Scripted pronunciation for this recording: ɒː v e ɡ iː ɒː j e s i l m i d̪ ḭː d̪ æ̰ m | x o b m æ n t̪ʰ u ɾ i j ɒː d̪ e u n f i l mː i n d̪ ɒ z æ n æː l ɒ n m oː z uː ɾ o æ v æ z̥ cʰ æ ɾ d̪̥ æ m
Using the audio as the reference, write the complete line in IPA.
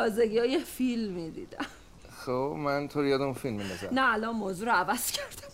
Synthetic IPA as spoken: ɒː z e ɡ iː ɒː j e f i l m i d̪ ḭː d̪ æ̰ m | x o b m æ n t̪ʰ o ɾ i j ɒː d̪ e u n f i l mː i n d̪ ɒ z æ n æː l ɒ n m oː z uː ɾ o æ v æ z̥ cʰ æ ɾ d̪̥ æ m